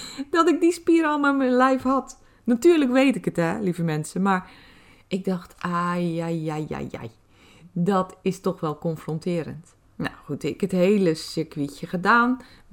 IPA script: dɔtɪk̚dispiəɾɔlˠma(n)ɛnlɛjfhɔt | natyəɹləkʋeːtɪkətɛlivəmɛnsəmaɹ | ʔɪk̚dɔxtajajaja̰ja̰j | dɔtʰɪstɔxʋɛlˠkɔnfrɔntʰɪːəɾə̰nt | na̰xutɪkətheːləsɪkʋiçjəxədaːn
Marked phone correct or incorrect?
incorrect